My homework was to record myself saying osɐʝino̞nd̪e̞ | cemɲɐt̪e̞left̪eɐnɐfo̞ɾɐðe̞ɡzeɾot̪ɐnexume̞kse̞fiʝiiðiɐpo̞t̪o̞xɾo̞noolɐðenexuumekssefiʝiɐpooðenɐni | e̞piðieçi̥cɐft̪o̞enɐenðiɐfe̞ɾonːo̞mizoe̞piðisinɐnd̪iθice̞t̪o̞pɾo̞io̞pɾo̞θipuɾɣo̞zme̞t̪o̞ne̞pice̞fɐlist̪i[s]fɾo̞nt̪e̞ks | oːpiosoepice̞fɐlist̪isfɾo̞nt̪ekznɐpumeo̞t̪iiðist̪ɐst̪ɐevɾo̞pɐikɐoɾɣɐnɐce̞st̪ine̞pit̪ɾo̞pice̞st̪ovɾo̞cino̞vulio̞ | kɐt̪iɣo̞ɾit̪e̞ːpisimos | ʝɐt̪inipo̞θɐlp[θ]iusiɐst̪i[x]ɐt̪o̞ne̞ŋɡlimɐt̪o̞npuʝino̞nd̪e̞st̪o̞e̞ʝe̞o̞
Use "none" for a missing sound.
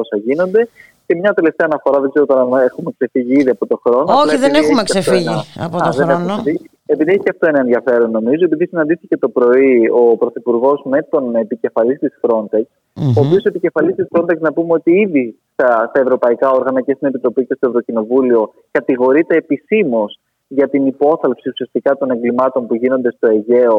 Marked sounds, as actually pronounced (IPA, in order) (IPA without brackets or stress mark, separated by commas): s, s, k